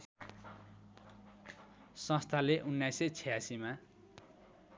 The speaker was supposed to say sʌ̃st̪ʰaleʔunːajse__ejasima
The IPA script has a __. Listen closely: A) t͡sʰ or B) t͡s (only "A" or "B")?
A